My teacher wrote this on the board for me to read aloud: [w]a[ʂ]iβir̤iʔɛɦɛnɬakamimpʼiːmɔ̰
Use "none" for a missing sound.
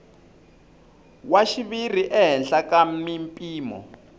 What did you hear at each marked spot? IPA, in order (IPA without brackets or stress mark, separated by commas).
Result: w, ʃ